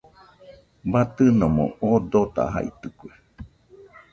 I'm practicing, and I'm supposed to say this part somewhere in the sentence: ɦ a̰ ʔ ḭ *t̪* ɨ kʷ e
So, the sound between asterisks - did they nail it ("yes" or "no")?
yes